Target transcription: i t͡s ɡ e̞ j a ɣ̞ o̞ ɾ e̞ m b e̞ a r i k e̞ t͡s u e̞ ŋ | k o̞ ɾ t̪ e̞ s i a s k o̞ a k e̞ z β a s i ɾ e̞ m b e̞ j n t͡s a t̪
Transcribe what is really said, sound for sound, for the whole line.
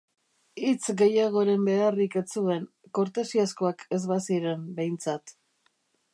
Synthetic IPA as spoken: i t͡s ɡ e̞ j a ɣ̞ o̞ ɾ e̞ m b e̞ a r i k e̞ t͡s u e̞ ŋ | k o̞ ɾ t̪ e̞ s i a s k o̞ a k e̞ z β a s i ɾ e̞ m b e̞ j n t͡s a t̪